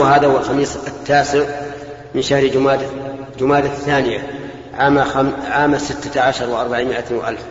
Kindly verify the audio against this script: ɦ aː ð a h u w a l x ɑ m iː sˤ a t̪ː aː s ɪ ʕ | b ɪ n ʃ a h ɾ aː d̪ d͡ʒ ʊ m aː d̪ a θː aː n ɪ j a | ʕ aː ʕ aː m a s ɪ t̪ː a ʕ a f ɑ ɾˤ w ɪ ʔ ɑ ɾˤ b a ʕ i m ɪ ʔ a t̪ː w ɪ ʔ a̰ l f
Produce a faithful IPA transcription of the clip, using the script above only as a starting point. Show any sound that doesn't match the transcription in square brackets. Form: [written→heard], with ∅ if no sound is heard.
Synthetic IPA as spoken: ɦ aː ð a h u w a l x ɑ m iː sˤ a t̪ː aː s ɪ ʕ | [b→m] ɪ n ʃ a h ɾ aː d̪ d͡ʒ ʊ m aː d̪ a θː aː n ɪ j a | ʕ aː ʕ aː m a s ɪ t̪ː a ʕ a [f→ʃ] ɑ ɾˤ w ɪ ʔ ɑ ɾˤ b a ʕ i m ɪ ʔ a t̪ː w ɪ ʔ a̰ l f